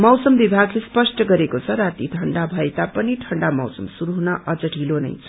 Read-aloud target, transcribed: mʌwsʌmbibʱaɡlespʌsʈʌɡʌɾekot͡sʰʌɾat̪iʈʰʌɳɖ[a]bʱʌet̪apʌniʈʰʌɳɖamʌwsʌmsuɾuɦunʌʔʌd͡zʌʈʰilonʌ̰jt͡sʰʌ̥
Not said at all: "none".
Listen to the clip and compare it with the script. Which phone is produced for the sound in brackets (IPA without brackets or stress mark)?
a